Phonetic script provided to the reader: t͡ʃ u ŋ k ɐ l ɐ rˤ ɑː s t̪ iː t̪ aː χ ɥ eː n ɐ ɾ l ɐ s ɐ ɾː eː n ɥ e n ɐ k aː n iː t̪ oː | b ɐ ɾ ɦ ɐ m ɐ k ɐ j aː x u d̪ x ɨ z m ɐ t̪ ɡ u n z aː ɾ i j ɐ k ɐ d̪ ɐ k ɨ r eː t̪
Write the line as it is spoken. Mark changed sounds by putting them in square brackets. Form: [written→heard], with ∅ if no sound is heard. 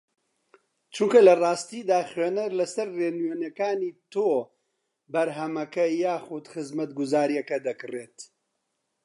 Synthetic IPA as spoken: t͡ʃ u ŋ k ɐ l ɐ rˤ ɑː s t̪ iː [t̪→d̪] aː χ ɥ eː n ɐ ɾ l ɐ s ɐ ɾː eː n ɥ e n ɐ k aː n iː t̪ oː | b ɐ ɾ ɦ ɐ m ɐ k ɐ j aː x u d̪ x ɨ z m ɐ t̪ ɡ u [n→∅] z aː ɾ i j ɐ k ɐ d̪ ɐ k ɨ r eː t̪